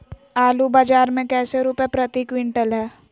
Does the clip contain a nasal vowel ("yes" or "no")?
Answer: yes